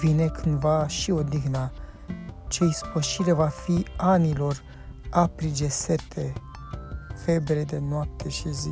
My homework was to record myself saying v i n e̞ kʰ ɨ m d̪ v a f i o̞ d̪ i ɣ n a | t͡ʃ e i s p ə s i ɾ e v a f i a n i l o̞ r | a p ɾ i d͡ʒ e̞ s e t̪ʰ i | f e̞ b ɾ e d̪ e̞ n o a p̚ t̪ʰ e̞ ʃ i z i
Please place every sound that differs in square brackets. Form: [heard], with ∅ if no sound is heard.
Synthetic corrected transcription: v i n e̞ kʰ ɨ [n] d̪ v a [ʃ] i o̞ d̪ i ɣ n a | t͡ʃ e i s p ə [ʃ] i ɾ e v a f i a n i l o̞ r | a p ɾ i d͡ʒ e̞ s e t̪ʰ [e] | f e̞ b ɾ e d̪ e̞ n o a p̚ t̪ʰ e̞ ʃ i z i